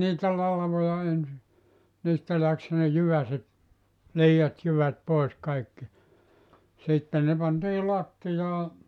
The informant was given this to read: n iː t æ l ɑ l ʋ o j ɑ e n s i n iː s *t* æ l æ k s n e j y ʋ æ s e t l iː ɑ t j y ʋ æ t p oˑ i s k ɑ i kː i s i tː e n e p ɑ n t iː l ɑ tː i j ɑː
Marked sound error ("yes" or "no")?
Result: no